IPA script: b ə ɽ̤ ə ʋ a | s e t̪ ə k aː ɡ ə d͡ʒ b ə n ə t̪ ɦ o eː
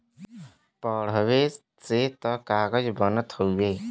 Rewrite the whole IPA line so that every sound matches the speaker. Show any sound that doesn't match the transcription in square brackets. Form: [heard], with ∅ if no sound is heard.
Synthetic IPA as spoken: [p] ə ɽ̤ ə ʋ [e] | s e t̪ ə k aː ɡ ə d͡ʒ b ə n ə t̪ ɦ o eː